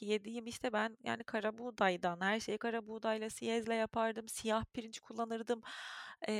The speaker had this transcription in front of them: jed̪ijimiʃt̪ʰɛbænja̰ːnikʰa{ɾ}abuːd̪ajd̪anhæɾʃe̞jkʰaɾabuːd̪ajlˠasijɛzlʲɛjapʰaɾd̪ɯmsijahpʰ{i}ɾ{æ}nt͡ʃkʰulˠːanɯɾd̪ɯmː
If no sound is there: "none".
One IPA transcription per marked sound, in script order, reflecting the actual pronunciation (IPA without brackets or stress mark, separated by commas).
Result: ɾ, i, i